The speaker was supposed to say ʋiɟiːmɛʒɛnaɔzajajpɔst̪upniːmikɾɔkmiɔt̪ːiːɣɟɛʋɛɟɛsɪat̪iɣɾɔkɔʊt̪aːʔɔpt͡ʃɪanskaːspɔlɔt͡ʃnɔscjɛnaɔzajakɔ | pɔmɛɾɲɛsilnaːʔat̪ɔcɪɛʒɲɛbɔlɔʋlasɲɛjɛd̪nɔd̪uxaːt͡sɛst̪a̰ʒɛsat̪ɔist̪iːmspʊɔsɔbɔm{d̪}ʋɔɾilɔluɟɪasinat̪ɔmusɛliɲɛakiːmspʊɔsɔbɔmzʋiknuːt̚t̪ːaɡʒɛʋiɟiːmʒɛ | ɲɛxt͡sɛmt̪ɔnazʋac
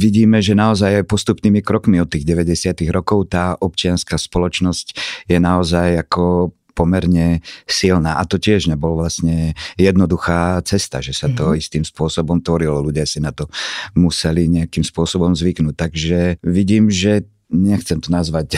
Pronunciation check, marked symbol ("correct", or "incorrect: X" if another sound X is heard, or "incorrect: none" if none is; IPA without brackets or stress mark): incorrect: t̪